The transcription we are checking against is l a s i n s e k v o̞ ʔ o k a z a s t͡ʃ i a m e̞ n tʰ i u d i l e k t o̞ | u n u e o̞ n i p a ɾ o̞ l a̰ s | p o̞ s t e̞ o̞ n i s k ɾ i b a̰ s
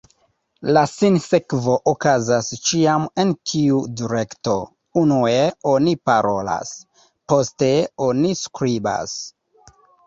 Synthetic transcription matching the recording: l a s i n s e k v o̞ ʔ o k a z a s t͡ʃ i a m e̞ n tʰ i u d i ɾ e k t o̞ | u n u e o̞ n i p a ɾ o̞ l a̰ s | p o̞ s t e̞ o̞ n i s k ɾ i b a̰ s